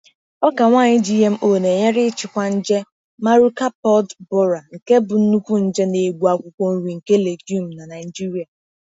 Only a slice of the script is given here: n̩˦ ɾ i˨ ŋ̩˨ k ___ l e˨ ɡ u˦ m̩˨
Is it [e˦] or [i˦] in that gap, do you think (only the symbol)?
e˦